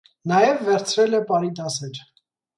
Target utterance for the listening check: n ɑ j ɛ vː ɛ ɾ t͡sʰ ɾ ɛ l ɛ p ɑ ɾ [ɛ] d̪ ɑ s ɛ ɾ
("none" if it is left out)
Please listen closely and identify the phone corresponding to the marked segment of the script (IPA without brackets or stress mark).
i